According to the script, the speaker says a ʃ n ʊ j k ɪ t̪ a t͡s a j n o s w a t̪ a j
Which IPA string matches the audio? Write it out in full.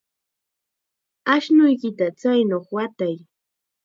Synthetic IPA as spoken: a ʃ n ʊ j k ɪ t̪ a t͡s a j n o χ w a t̪ a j